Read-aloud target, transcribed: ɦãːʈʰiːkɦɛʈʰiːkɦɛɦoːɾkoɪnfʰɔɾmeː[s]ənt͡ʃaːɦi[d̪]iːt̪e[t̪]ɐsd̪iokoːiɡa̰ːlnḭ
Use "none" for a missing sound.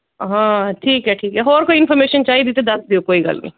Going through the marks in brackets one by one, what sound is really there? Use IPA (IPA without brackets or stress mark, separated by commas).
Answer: ʃ, d̪, d̪